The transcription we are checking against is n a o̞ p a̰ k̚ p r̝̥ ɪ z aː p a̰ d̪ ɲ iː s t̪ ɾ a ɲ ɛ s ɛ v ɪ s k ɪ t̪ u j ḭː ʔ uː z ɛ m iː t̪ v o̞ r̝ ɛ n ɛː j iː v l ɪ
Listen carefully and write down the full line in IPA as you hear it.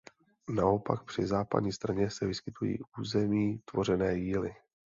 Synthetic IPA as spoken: n a o̞ p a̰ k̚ p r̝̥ ɪ z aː p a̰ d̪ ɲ iː s t̪ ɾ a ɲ ɛ s ɛ v ɪ s k ɪ t̪ u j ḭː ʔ uː z ɛ m iː t̪ v o̞ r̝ ɛ n ɛː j iː l ɪ